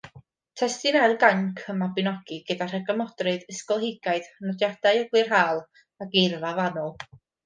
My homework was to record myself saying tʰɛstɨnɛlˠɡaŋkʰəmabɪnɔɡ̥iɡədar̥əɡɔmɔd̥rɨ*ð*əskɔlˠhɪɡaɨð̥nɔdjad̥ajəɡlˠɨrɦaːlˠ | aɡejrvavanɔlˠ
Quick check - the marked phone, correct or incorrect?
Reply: correct